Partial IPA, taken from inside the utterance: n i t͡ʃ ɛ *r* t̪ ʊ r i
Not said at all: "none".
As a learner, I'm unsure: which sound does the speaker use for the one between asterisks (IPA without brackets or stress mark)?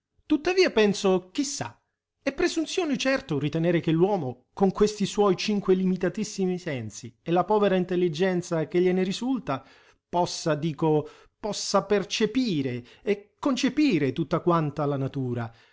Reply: r